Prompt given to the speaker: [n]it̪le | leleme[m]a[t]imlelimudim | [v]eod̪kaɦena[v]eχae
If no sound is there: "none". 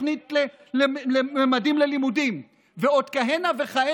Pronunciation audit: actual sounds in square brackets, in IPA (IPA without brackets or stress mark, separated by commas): n, m, d, v, v